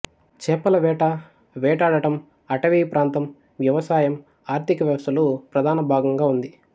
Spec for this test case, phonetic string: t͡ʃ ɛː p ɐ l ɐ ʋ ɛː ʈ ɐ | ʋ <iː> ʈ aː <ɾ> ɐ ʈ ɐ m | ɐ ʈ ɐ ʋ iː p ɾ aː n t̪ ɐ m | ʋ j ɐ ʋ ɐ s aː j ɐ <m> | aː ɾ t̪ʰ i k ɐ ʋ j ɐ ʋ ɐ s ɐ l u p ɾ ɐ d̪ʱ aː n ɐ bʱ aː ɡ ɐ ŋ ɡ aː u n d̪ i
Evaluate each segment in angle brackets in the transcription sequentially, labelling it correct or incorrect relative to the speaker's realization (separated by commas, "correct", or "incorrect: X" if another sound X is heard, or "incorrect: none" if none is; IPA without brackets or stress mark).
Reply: incorrect: ɛː, incorrect: ɽ, correct